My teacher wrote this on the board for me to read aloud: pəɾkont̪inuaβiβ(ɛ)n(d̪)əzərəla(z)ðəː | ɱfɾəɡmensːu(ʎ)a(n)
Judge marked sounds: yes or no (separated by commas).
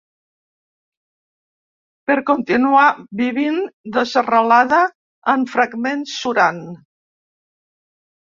no, yes, no, no, yes